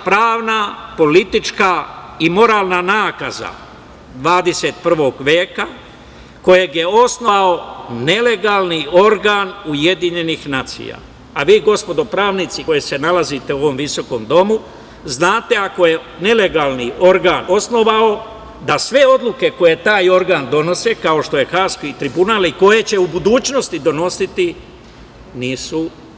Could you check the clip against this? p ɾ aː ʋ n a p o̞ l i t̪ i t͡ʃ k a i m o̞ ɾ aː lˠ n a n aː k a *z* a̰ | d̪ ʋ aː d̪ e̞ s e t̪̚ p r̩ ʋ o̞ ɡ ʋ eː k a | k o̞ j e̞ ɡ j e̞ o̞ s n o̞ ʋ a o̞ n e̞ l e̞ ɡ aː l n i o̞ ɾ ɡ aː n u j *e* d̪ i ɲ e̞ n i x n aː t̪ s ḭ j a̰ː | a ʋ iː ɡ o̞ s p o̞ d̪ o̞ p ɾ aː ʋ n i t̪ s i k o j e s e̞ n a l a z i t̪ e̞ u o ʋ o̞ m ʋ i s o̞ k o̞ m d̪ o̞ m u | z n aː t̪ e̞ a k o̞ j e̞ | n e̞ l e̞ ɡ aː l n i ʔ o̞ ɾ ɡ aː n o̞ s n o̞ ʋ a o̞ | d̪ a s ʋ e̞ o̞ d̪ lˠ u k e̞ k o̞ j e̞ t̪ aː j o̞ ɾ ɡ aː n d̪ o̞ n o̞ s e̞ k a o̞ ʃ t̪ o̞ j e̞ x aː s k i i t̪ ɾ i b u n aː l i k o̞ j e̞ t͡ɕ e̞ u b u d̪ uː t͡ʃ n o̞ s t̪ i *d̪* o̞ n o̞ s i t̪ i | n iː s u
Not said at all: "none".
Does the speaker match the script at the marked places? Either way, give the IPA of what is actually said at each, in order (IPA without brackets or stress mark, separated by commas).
z, e, d̪